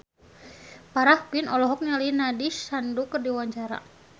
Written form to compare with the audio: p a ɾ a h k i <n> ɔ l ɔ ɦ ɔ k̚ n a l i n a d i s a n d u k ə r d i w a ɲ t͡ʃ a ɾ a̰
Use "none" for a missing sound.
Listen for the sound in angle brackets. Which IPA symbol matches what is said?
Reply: n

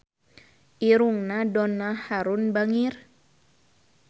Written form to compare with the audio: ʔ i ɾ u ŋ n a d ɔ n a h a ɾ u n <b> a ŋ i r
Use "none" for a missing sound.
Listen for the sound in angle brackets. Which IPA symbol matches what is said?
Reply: b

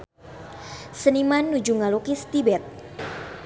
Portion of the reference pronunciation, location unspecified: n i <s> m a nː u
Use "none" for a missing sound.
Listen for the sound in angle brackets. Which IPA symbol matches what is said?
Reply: none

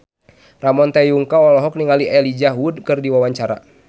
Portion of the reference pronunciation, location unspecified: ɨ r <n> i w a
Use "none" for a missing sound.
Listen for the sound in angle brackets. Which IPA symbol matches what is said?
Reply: d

